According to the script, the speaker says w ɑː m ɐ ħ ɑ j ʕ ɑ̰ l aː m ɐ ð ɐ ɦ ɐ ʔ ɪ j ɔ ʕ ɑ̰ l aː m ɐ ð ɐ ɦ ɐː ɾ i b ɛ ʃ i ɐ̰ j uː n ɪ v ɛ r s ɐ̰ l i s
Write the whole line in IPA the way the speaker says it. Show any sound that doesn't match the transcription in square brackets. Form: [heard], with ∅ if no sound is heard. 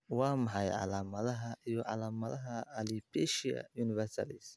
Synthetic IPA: w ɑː m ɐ ħ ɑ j ʕ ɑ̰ l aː m ɐ ð ɐ ɦ ɐ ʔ [i] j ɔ ʕ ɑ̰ l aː m ɐ ð ɐ ɦ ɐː [l] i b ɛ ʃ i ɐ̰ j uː n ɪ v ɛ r s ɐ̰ l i s